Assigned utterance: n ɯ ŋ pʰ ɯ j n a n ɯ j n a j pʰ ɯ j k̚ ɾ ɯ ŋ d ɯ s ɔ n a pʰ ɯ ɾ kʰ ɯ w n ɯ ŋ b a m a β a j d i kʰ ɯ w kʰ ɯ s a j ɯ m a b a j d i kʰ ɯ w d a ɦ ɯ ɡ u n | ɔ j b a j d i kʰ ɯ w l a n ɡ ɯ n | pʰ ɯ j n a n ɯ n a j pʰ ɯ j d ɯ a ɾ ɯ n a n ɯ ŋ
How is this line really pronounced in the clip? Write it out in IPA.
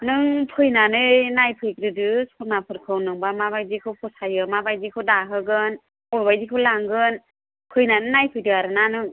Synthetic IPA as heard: n ɯ ŋ pʰ ɯ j n a n ɯ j n a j pʰ ɯ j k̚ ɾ ɯ d ɯ s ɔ n a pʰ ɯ ɾ kʰ ɯ w n ɯ ŋ b a m a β a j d i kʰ ɯ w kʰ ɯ s a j ɯ m a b a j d i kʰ ɯ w d a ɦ ɯ ɡ ɯ n | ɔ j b a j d i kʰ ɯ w l a ŋ ɡ ɯ n | pʰ ɯ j n a n ɯ n a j pʰ ɯ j d ɯ a ɾ ɯ n a n ɯ ŋ